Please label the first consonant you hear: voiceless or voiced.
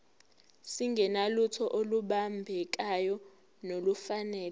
voiceless